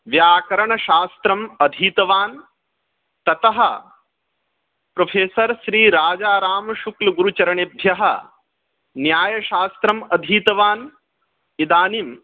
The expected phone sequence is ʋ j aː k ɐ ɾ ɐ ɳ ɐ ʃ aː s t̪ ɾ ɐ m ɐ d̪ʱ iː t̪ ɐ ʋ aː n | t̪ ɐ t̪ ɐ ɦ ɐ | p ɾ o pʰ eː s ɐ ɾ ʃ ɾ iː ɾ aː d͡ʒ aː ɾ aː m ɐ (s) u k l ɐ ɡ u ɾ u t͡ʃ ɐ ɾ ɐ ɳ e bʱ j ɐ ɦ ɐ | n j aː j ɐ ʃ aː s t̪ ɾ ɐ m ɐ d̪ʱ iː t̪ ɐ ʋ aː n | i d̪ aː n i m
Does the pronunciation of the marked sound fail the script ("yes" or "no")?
yes